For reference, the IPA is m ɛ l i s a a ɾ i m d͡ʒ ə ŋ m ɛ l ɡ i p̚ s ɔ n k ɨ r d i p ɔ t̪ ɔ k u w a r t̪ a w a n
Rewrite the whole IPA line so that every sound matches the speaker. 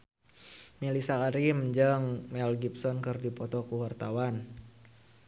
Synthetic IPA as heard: m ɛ l i s a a ɾ i m d͡ʒ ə ŋ m ɛ l ɡ i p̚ s ɔ n k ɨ r d i p ɔ t̪ ɔ k u w a r t̪ a w a n